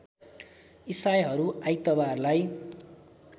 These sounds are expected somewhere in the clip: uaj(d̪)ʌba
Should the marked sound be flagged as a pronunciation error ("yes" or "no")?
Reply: yes